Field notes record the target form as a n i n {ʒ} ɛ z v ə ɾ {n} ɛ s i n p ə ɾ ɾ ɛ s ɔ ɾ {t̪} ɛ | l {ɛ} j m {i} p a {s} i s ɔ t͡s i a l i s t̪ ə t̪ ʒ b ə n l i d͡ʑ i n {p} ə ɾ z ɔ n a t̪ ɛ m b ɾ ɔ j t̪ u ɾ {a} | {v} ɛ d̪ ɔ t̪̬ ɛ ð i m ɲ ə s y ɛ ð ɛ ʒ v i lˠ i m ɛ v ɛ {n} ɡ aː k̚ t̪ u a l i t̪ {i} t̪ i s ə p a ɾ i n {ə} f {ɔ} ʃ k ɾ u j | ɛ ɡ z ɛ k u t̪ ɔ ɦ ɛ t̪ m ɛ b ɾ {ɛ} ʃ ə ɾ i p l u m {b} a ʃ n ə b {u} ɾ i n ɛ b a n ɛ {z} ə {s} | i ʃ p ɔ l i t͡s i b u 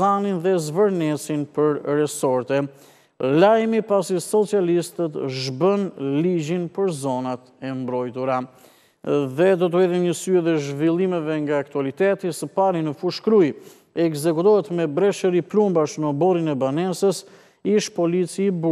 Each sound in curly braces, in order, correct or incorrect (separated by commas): incorrect, correct, correct, incorrect, correct, correct, correct, correct, incorrect, incorrect, incorrect, correct, incorrect, correct, correct, incorrect, incorrect, correct